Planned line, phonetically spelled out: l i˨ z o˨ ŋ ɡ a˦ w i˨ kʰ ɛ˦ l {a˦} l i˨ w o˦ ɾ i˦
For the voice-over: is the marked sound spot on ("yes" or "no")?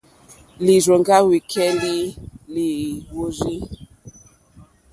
no